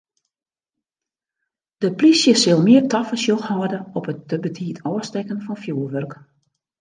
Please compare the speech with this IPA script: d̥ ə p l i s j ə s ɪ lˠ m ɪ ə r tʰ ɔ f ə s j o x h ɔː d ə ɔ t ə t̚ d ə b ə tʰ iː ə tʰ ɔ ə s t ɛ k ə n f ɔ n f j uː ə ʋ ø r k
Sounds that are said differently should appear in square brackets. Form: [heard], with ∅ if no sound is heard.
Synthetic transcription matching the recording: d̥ ə p l i s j ə s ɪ lˠ m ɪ ə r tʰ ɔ f ə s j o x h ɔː d ə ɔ [p] ə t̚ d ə b ə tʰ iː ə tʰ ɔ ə s t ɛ k ə n f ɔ n f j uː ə ʋ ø r k